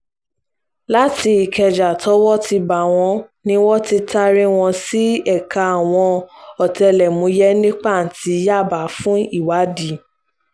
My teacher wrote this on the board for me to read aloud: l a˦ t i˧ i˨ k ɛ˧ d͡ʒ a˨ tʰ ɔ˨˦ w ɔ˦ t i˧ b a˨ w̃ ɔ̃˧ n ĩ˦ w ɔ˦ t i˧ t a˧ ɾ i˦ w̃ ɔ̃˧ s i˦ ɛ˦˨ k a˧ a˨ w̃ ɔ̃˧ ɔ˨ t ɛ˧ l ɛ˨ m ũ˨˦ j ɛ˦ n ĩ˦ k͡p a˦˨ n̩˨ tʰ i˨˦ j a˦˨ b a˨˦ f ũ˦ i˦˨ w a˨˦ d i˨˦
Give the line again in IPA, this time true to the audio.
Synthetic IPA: l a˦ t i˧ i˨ k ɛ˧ d͡ʒ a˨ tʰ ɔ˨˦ w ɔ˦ t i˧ b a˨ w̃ ɔ̃˧ n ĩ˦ w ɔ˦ t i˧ t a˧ ɾ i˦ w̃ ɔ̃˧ s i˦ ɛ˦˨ k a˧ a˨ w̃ ɔ̃˧ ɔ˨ t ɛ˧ l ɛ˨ m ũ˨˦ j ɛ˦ n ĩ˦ k͡p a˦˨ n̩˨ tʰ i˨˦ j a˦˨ b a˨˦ f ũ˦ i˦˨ w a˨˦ d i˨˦